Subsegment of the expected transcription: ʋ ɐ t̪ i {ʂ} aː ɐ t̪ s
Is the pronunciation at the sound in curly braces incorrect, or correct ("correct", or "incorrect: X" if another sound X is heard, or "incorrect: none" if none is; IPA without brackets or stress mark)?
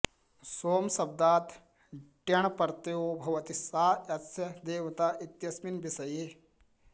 incorrect: s